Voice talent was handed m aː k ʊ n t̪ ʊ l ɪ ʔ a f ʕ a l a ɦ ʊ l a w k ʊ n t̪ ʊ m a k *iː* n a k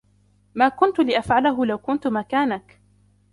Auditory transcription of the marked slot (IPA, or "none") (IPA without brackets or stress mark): aː